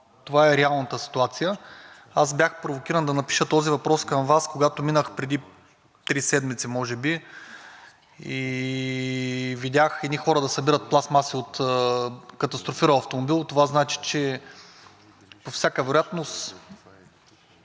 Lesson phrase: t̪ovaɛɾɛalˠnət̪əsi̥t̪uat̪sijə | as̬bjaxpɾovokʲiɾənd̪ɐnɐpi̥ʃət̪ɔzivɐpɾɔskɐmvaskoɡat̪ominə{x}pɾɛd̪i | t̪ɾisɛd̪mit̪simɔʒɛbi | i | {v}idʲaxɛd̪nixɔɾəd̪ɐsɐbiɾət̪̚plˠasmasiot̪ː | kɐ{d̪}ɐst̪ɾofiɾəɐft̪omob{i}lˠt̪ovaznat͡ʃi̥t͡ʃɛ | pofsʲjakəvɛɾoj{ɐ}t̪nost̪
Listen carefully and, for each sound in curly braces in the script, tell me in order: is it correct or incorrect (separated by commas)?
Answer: correct, correct, incorrect, correct, incorrect